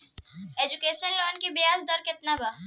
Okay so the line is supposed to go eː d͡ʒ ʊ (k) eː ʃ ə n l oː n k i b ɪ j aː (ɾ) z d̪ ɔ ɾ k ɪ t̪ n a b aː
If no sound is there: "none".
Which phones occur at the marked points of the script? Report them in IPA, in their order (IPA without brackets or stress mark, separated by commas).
k, none